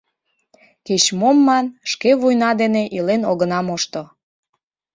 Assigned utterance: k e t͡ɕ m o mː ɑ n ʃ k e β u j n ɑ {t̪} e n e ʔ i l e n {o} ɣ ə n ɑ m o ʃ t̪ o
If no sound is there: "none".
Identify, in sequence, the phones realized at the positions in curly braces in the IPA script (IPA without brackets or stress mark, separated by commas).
d̪, o